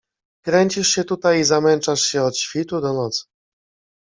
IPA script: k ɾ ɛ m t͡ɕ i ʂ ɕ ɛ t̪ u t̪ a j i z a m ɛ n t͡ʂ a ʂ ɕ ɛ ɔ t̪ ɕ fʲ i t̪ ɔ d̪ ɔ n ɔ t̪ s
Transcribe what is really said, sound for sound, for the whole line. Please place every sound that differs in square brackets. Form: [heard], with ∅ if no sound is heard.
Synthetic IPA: k ɾ ɛ [ɲ] t͡ɕ i ʂ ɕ ɛ t̪ u t̪ a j i z a m ɛ n t͡ʂ a ʂ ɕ ɛ ɔ t̪ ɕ fʲ i t̪ [u] d̪ ɔ n ɔ t̪ s